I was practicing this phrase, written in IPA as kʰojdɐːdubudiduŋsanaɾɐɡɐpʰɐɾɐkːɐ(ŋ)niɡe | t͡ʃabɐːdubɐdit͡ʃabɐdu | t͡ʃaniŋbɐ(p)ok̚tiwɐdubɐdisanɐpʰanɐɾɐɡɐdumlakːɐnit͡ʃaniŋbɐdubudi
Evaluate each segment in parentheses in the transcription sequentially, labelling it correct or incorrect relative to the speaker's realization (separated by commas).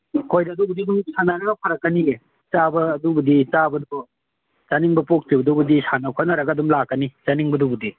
incorrect, correct